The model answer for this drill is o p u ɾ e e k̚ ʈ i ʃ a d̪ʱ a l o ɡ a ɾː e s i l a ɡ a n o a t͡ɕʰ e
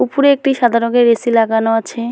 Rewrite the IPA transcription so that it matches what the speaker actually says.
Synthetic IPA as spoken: u p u ɾ e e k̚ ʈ i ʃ a d̪ʱ a ɾ o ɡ e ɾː e s i l a ɡ a n o a t͡ɕʰ e